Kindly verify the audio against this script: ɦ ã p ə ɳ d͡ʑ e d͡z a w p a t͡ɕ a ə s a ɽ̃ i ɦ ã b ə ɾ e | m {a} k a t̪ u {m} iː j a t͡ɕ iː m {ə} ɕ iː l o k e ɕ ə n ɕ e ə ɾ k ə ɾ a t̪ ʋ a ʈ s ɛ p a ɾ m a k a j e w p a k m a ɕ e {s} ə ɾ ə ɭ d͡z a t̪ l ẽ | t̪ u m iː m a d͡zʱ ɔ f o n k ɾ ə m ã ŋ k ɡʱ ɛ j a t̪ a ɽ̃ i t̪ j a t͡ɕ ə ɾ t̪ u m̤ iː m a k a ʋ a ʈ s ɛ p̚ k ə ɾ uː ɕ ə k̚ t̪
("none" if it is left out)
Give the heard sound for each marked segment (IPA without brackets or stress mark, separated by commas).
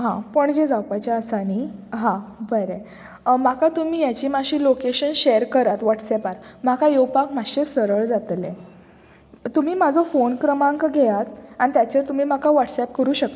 a, m, a, s